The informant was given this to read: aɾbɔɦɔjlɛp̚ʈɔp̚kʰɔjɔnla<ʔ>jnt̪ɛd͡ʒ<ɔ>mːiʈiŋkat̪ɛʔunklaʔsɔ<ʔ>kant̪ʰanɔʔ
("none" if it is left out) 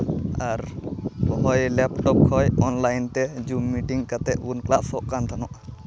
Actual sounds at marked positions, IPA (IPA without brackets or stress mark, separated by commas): none, u, ʔ